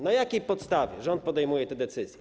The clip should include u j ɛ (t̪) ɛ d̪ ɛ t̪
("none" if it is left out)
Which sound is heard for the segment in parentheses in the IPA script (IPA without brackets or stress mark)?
t̪